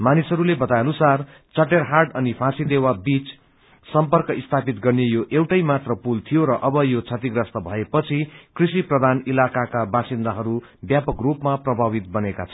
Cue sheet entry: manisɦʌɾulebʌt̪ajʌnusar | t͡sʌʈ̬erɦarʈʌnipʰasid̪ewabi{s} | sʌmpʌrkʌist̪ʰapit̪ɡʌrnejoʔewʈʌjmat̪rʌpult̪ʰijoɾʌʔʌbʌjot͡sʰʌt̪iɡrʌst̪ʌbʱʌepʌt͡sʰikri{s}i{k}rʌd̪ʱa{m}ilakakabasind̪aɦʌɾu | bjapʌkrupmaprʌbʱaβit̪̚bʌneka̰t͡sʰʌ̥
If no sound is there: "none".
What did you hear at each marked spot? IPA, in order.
t͡s, s, p, n

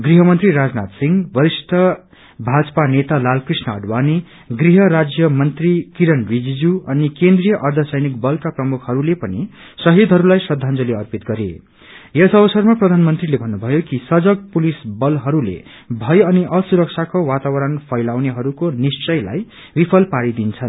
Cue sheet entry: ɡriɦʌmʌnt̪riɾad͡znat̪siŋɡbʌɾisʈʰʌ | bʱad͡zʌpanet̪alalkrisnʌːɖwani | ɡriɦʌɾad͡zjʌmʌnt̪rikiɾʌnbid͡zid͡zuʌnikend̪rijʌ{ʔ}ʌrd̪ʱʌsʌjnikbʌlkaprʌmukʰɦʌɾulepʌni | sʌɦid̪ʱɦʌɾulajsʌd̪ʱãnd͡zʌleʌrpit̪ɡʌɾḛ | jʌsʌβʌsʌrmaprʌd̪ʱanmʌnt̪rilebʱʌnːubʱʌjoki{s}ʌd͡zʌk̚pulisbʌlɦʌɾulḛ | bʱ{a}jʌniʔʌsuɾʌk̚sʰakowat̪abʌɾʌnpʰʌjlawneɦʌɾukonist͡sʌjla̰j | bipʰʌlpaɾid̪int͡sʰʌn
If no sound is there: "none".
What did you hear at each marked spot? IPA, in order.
ʔ, s, ʌ

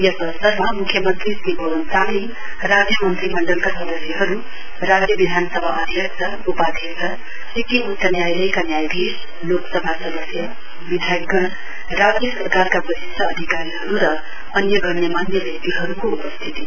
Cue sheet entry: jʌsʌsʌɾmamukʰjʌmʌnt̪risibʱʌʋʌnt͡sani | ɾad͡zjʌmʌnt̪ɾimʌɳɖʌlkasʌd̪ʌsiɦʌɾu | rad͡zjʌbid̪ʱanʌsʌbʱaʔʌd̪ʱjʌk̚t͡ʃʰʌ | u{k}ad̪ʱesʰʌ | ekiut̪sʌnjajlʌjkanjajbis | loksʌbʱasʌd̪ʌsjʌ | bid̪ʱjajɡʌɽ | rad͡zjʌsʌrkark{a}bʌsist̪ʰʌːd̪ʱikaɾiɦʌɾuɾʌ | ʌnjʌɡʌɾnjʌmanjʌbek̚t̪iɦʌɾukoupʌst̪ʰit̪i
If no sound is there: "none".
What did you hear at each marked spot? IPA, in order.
p, a

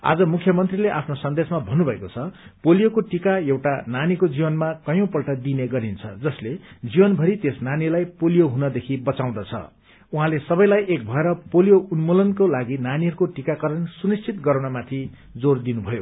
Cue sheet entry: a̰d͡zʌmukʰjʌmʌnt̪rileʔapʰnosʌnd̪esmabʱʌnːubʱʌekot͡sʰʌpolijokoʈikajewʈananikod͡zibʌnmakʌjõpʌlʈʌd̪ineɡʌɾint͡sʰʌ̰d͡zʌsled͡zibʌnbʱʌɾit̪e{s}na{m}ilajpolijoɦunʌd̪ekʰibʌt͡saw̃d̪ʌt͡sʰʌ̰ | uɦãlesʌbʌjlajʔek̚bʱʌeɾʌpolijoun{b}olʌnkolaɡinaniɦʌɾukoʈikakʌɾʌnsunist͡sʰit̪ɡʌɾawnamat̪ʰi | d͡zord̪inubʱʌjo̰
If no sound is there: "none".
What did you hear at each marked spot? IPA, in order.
s, n, m

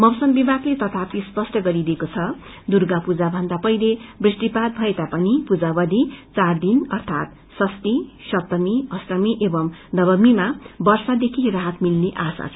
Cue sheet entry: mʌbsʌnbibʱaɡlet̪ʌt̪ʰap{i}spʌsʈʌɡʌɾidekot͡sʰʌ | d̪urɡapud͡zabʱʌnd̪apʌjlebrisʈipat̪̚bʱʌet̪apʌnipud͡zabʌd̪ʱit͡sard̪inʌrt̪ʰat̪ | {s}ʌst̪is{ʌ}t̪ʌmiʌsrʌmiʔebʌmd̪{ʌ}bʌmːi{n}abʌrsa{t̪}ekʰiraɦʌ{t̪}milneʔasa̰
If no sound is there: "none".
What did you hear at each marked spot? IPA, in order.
i, s, ʌ, ʌ, m, d̪, t̪

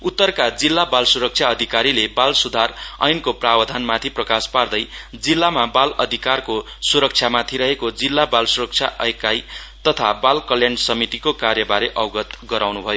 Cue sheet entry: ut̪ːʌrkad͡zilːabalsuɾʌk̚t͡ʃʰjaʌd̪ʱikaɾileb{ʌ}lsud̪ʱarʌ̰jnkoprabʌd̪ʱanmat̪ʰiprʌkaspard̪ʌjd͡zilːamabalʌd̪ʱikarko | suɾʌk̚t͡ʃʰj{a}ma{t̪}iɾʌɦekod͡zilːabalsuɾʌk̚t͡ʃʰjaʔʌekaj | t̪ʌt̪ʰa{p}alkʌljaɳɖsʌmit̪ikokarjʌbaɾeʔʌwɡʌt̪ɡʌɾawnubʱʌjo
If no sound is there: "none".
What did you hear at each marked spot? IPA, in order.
a, a, t̪ʰ, b

